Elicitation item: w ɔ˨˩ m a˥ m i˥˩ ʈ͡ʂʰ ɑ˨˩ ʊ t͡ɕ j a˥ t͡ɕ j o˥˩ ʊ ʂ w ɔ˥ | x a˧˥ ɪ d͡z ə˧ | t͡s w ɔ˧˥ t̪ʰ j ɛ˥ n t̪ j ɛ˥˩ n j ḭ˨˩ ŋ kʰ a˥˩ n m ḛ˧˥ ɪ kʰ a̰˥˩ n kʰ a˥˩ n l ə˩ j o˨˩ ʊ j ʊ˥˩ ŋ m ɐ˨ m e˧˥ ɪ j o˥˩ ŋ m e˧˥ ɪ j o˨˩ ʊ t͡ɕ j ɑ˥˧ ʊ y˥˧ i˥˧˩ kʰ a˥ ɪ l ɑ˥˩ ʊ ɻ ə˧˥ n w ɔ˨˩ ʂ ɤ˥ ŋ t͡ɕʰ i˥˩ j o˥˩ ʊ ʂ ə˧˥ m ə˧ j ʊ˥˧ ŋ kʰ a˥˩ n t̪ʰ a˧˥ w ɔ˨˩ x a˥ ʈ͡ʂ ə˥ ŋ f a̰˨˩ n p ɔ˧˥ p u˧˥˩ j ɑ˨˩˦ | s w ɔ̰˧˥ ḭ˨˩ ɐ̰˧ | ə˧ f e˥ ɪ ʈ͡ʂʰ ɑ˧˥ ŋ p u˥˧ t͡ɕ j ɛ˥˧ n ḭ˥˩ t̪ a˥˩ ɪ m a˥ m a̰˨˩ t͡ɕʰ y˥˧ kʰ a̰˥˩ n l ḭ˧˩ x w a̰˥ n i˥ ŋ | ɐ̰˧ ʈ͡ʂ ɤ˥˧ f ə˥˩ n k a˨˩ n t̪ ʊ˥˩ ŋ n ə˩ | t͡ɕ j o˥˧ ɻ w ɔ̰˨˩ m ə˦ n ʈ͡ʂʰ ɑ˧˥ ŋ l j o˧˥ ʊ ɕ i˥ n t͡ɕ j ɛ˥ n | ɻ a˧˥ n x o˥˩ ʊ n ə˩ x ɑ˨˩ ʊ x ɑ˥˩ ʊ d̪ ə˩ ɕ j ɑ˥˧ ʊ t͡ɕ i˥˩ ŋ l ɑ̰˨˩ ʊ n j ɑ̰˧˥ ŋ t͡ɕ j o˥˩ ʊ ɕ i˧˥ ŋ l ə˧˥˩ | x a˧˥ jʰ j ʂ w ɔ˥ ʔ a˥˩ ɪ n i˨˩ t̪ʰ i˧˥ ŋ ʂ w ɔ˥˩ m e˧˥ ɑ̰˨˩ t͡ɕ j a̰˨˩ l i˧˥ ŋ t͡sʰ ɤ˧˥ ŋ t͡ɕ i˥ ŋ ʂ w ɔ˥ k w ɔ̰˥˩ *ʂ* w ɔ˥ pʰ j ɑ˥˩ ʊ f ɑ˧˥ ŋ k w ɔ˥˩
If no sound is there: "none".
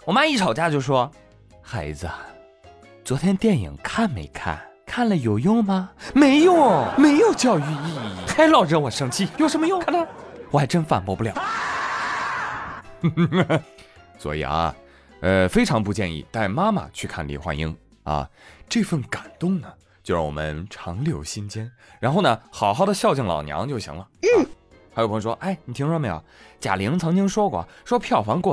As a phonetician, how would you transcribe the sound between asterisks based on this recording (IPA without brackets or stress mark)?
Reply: ʂ